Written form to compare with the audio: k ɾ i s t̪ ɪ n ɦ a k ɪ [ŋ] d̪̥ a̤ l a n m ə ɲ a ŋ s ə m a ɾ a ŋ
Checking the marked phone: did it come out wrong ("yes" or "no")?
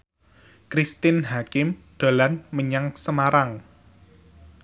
yes